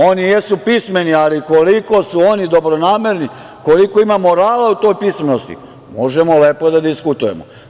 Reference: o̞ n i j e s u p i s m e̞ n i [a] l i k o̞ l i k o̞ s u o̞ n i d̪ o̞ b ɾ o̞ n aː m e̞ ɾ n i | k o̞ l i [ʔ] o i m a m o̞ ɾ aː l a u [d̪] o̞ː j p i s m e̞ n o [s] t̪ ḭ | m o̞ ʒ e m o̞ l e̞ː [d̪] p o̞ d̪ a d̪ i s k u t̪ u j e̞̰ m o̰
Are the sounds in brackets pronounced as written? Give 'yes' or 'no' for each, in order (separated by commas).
yes, no, no, yes, no